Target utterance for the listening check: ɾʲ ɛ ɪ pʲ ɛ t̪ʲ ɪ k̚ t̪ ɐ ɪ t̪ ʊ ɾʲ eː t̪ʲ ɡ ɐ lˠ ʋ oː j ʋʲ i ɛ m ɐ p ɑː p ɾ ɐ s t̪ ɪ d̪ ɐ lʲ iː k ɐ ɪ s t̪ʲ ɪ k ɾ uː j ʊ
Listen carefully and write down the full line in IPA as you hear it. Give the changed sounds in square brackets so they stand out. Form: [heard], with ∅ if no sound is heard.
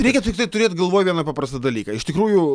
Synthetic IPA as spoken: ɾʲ ɛ ɪ [kʲ] ɛ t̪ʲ ɪ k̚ t̪ ɐ ɪ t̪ ʊ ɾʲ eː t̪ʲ ɡ ɐ lˠ ʋ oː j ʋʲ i ɛ [n] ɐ p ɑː p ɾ ɐ s t̪ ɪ d̪ ɐ lʲ iː k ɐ ɪ [ʃ] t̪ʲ ɪ k ɾ uː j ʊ